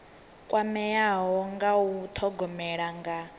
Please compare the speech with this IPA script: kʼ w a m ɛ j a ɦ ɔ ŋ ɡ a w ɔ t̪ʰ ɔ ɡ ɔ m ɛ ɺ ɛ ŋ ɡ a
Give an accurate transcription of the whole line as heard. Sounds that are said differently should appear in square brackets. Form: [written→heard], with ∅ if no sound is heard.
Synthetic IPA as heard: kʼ w a m ɛ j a ɦ ɔ ŋ ɡ a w [ɔ→u] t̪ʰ ɔ ɡ ɔ m ɛ ɺ [ɛ→a] ŋ ɡ a